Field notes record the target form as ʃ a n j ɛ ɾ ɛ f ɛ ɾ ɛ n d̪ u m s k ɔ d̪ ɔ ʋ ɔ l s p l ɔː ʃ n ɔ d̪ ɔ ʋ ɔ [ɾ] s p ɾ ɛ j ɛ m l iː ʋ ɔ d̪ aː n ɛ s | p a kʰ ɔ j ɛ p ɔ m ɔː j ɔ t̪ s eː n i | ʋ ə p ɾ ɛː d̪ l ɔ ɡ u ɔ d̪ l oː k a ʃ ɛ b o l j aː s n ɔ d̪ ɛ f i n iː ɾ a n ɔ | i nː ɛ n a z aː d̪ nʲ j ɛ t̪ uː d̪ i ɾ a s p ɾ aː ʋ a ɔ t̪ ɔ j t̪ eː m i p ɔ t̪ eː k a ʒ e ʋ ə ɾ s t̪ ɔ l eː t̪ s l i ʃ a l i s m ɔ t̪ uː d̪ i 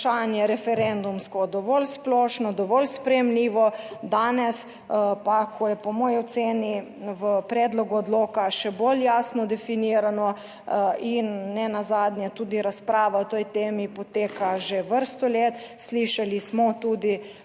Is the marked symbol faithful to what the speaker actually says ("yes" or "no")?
no